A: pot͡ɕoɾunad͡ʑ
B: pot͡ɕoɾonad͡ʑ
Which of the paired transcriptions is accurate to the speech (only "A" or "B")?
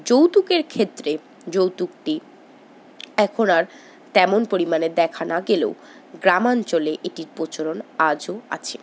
B